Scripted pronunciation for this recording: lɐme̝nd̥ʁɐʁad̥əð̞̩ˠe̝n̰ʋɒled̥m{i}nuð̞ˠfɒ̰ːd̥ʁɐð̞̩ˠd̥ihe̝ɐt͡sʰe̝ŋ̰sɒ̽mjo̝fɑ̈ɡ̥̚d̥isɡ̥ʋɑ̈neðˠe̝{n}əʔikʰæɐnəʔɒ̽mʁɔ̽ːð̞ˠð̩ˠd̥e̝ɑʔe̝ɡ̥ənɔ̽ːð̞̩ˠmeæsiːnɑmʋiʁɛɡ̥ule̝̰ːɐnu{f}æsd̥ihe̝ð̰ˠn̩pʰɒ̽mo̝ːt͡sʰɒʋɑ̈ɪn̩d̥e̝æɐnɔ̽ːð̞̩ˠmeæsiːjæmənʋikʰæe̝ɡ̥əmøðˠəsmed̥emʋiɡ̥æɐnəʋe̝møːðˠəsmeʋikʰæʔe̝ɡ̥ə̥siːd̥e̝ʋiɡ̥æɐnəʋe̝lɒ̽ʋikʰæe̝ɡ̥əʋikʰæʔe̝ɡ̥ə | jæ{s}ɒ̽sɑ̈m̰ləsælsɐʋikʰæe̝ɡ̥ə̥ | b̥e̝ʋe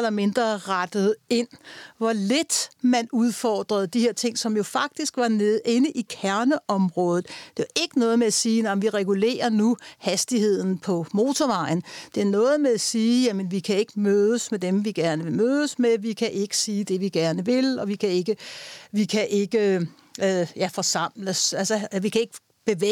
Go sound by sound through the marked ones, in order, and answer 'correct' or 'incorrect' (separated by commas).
incorrect, correct, incorrect, incorrect